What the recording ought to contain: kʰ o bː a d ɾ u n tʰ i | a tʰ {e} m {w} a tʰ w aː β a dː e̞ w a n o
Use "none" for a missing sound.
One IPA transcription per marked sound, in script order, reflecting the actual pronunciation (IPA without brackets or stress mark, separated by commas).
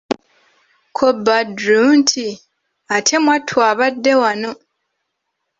e, w